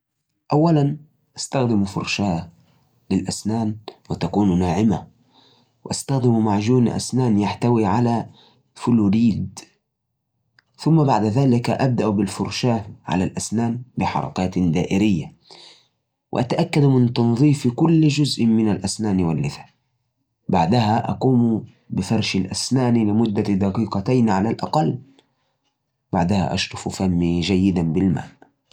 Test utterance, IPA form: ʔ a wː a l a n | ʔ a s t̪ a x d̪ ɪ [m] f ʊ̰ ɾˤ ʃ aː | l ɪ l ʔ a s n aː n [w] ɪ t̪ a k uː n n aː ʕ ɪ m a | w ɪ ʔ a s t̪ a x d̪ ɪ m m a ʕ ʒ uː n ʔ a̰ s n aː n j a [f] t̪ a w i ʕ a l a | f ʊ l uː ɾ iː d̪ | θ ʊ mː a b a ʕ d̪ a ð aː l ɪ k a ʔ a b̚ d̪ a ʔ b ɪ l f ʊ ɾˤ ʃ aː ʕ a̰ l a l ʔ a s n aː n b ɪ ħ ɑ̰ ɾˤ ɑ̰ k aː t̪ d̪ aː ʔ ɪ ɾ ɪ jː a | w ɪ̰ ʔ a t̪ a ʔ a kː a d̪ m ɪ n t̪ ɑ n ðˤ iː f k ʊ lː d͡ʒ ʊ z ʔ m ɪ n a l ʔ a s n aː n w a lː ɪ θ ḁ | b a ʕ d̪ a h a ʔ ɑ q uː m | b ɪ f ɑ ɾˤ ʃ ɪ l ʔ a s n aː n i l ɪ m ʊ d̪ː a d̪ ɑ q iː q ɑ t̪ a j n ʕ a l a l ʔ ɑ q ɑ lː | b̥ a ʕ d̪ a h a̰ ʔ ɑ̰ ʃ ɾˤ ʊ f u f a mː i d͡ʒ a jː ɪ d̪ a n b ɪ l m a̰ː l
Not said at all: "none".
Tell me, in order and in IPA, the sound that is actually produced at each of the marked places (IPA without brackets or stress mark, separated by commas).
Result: m, w, ħ